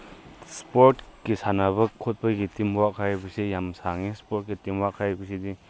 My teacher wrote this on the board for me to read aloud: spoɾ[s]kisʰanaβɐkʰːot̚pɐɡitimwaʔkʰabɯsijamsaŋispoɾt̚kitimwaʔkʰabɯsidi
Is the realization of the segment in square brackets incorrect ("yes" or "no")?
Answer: yes